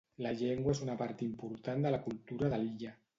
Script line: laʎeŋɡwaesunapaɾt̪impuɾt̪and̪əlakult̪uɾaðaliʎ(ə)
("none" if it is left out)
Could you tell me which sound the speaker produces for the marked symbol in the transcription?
a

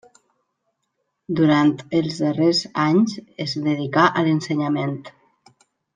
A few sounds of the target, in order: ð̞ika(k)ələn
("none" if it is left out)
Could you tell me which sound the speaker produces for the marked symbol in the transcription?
ʔ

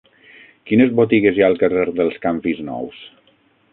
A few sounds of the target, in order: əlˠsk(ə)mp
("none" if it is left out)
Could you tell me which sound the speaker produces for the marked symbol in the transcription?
a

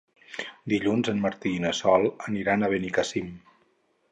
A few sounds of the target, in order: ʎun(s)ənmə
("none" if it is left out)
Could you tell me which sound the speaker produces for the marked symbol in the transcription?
z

